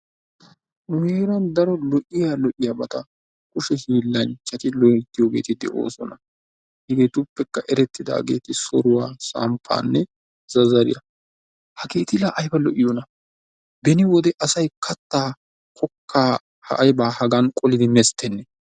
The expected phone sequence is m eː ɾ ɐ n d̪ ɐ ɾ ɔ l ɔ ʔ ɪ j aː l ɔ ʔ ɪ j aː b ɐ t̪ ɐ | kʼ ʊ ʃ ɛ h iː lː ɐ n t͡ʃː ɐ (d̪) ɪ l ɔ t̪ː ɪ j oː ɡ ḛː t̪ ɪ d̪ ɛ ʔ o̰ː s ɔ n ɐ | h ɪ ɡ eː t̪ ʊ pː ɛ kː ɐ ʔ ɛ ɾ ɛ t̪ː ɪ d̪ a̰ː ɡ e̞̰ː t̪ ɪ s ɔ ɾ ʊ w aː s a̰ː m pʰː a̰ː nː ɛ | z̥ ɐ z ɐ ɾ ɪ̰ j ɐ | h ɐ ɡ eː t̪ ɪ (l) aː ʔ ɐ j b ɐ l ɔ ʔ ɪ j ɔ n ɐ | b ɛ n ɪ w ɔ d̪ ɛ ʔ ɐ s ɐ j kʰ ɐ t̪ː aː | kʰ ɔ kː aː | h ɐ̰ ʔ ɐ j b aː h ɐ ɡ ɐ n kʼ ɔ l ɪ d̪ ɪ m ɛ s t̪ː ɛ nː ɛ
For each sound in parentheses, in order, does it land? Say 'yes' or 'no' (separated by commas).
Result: no, yes